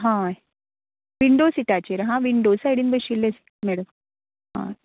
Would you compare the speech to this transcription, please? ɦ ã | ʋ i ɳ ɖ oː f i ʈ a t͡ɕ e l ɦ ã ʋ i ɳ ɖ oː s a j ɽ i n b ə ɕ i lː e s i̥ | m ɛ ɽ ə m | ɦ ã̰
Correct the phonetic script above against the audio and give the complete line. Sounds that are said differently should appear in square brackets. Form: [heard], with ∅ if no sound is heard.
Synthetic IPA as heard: ɦ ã | ʋ i ɳ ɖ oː [s] i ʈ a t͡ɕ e [ɾ] ɦ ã ʋ i ɳ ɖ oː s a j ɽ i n b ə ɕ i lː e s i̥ | m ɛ ɽ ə m | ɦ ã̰